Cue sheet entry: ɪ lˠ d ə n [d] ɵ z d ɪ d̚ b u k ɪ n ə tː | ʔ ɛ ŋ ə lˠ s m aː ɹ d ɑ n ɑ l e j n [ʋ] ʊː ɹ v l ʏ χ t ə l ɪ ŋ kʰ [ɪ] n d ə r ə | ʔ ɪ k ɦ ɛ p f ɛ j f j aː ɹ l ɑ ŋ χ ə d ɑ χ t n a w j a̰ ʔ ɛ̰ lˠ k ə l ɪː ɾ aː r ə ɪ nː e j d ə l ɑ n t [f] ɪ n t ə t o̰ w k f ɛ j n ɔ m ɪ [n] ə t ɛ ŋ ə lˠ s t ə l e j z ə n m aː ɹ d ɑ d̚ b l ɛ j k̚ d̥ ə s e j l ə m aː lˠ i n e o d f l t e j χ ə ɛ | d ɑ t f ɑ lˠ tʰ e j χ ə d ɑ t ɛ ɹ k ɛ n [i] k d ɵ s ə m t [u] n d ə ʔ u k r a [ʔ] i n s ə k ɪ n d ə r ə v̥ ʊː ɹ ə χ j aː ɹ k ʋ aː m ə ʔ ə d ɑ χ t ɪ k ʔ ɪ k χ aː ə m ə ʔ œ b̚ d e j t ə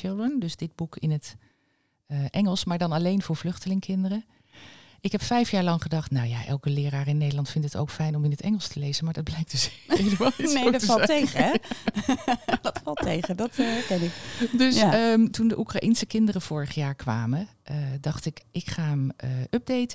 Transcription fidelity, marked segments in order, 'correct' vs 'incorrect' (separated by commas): correct, incorrect, correct, correct, correct, incorrect, correct, correct